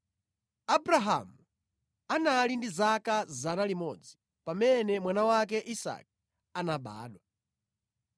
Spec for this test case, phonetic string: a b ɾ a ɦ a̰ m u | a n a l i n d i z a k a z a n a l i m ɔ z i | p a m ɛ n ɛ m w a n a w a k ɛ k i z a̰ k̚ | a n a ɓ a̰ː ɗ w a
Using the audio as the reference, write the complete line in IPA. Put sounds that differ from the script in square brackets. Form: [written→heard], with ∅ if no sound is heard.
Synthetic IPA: a b ɾ a ɦ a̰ m u | a n a l i n d i z a k a z a n a l i m ɔ [z→d͡z] i | p a m ɛ n ɛ m w a n a w a k ɛ [k→ʔ] i [z→s] a̰ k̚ | a n a ɓ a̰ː ɗ w a